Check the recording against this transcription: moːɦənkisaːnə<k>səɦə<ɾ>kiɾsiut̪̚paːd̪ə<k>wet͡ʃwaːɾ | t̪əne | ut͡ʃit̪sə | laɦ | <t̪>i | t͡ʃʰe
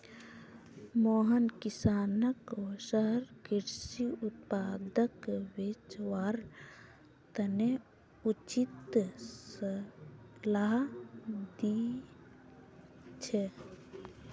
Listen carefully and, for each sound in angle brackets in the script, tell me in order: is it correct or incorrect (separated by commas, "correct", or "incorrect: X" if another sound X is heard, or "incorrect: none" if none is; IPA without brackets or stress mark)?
correct, correct, correct, incorrect: d̪